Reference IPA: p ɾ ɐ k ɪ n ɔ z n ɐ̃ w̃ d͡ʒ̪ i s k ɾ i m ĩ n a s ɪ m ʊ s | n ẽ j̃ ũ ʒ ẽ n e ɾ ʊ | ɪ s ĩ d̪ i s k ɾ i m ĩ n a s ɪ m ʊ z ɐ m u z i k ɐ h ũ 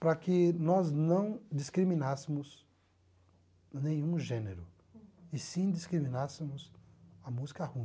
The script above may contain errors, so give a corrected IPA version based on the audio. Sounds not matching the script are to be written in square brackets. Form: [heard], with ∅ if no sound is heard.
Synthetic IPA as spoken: p ɾ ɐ k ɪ n ɔ z n ɐ̃ w̃ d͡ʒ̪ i s k ɾ i m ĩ n a s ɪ m ʊ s | n ẽ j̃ ũ ʒ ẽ n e ɾ ʊ | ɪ s ĩ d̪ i s k ɾ i m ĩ n a s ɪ m ʊ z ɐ m u z i k ɐ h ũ